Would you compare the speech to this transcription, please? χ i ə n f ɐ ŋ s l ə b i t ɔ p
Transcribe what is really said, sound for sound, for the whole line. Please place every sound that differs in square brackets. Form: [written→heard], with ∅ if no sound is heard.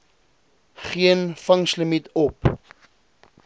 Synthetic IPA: χ i ə n f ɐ ŋ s l ə [b→m] i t ɔ p